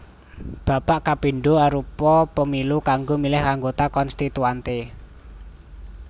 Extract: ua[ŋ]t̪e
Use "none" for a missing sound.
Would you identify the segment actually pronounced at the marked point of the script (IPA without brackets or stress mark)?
n